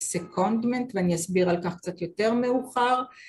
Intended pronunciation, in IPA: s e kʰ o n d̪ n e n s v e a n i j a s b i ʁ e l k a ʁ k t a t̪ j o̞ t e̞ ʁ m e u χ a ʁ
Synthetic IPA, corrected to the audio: s e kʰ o n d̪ m e n t v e a n i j a s b i ʁ a l k a χ k t͡s a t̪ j o̞ t e̞ ʁ m e u χ a ʁ